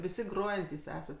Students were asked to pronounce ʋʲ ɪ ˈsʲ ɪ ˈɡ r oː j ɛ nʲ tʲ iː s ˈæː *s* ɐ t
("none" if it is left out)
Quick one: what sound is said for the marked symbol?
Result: s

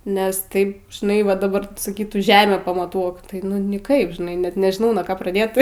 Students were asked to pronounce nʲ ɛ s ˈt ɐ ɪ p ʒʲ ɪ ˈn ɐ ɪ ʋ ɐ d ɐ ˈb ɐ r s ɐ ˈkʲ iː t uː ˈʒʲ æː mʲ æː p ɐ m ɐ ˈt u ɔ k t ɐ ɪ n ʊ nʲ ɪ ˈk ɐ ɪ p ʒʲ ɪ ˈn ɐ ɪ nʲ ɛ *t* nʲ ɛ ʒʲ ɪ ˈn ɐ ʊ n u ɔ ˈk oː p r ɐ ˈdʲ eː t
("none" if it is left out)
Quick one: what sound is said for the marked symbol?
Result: t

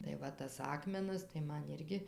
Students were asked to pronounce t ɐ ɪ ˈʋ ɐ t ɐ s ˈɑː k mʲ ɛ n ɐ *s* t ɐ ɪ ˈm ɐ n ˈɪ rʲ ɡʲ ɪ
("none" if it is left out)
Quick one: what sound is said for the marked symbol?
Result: s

